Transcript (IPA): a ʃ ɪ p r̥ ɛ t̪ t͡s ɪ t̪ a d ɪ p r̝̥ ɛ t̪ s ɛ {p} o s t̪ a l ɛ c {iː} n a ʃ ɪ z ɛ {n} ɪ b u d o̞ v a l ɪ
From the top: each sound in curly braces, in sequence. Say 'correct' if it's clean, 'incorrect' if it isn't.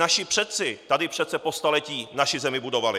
correct, correct, incorrect

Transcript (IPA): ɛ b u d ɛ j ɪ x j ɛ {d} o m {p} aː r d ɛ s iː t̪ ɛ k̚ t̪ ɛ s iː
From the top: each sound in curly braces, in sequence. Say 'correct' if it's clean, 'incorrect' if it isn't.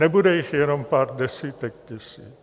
incorrect, correct

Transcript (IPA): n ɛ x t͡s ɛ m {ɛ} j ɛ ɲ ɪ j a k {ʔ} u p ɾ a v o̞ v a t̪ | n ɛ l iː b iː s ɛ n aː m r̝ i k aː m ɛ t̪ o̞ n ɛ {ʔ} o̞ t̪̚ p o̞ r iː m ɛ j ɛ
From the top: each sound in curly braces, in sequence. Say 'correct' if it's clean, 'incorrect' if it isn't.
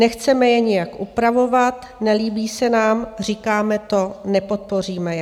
correct, correct, incorrect

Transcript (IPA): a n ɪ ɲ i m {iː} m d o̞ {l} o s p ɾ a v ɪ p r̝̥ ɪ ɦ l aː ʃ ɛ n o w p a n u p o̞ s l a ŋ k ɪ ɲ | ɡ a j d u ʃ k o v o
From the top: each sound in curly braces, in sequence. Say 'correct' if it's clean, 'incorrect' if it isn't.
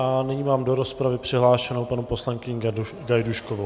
incorrect, incorrect

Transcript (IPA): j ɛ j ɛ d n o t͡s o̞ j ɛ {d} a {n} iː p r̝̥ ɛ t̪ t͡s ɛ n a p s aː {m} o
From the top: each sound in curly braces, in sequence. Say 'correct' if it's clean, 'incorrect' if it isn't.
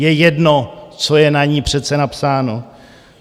incorrect, incorrect, incorrect

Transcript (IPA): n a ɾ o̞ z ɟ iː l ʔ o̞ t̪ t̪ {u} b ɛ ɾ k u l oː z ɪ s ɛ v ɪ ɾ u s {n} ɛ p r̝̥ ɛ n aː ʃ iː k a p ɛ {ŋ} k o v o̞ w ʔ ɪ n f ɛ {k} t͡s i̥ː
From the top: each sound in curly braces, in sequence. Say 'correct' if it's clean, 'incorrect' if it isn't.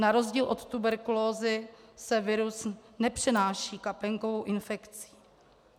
correct, correct, correct, correct

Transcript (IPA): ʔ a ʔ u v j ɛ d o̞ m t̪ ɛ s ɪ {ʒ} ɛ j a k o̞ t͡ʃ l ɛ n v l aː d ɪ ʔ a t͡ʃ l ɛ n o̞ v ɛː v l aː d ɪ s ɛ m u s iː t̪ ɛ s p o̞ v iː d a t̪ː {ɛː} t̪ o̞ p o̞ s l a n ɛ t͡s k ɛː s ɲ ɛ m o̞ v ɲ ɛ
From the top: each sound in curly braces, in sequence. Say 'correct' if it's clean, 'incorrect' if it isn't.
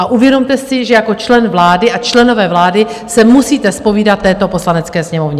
correct, correct

